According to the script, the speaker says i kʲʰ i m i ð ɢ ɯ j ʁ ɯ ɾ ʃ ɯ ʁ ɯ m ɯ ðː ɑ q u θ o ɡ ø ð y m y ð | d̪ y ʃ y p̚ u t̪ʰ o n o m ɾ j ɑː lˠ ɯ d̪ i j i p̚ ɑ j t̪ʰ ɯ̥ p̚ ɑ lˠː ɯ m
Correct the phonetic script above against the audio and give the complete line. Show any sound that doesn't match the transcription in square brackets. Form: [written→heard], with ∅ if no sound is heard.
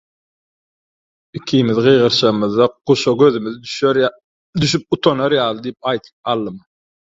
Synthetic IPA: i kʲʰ i m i ð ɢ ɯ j ʁ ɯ ɾ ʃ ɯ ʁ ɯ m ɯ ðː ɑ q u [θ→ʃ] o ɡ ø ð y m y ð | d̪ y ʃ y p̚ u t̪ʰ o n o [m→∅] ɾ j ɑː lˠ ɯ d̪ i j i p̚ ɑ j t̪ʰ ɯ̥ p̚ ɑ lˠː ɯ m